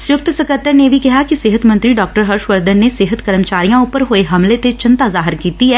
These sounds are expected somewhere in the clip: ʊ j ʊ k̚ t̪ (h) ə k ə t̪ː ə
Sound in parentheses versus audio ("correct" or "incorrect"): incorrect